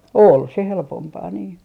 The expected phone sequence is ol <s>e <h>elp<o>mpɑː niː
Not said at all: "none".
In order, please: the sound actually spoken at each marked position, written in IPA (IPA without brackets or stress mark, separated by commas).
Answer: s, h, o